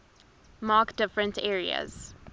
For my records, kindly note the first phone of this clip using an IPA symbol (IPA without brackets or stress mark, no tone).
m